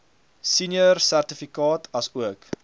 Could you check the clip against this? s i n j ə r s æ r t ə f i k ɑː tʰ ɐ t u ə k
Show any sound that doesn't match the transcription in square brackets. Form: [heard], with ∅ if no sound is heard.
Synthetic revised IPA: s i n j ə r s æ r t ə f i k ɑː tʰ ɐ [s] u ə k